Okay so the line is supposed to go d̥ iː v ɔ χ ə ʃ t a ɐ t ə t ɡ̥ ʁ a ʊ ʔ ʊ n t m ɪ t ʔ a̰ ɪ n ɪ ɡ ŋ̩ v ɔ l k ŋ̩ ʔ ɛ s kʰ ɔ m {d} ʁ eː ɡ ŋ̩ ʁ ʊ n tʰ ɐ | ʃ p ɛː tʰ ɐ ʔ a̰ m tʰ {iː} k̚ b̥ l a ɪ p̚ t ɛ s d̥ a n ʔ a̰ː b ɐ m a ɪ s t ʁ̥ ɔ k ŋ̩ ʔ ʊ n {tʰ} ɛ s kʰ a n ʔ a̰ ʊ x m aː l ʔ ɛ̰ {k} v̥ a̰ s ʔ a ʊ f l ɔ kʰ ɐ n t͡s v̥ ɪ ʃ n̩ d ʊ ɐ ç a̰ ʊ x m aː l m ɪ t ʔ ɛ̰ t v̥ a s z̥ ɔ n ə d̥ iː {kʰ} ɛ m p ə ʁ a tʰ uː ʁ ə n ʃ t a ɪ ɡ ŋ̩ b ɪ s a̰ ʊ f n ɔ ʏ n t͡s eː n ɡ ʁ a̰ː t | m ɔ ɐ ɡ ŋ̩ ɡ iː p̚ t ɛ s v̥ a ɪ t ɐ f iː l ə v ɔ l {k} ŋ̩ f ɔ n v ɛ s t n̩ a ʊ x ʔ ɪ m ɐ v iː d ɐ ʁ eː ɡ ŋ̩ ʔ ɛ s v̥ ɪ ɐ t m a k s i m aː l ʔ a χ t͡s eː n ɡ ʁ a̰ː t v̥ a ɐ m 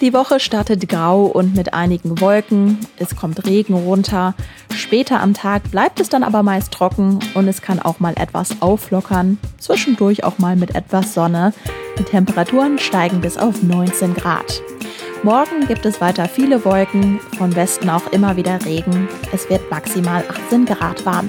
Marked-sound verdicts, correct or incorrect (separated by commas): incorrect, incorrect, incorrect, incorrect, incorrect, correct